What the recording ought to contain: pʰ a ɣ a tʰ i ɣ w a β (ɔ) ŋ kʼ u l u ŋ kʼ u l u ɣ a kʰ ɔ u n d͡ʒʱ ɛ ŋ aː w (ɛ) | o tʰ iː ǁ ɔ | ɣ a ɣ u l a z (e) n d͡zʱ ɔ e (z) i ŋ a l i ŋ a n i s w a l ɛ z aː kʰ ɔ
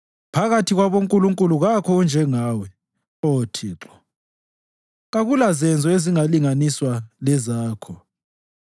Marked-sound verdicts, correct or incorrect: incorrect, correct, incorrect, correct

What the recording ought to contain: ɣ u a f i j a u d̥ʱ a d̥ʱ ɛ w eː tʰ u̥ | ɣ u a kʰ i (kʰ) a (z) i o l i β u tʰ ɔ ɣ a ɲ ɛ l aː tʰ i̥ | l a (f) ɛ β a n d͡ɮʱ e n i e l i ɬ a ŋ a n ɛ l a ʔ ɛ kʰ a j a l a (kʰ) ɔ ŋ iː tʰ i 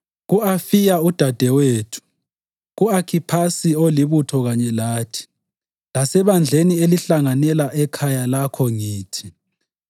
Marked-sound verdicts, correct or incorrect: incorrect, incorrect, incorrect, correct

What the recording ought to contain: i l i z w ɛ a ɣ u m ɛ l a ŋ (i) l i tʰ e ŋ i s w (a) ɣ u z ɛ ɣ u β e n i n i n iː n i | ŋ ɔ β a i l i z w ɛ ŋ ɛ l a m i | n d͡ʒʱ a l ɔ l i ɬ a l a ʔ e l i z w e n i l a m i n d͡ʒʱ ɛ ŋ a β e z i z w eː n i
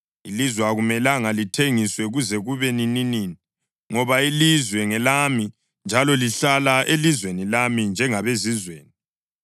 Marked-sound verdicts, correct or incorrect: incorrect, incorrect

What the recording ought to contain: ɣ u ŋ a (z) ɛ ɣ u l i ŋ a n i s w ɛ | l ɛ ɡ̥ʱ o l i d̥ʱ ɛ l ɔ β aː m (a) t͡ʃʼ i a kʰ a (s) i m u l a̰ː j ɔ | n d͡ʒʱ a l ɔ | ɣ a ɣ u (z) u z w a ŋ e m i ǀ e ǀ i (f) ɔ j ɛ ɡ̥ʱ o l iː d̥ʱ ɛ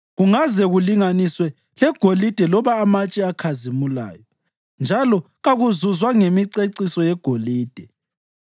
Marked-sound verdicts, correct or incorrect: correct, correct, incorrect, correct, incorrect

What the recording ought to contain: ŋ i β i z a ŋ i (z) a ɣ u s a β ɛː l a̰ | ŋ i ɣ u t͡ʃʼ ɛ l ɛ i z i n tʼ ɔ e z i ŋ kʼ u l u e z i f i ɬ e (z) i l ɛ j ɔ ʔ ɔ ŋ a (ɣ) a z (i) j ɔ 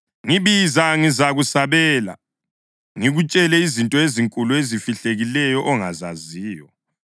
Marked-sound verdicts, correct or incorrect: correct, incorrect, incorrect, incorrect

